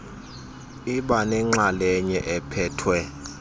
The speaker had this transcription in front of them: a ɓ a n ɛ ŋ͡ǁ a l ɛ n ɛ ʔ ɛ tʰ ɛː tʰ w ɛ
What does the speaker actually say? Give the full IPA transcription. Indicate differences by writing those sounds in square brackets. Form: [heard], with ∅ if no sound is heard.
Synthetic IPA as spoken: [i] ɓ a n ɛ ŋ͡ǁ a l ɛ [ɲ] ɛ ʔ ɛ [pʰ] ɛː tʰ w ɛ